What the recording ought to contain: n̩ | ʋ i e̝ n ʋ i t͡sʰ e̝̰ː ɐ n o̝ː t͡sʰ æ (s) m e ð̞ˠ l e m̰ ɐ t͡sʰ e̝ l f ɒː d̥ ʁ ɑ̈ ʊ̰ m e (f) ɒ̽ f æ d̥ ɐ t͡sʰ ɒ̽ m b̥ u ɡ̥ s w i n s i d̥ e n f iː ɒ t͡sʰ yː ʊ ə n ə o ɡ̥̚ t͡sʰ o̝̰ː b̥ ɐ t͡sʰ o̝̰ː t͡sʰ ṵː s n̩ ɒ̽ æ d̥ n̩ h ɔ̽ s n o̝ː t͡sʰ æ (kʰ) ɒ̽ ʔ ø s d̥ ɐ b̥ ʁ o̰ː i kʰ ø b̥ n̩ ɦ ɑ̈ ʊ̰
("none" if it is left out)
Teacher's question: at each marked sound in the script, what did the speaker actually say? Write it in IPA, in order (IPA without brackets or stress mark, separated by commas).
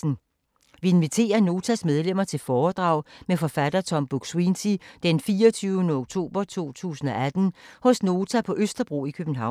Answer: s, f, pʰ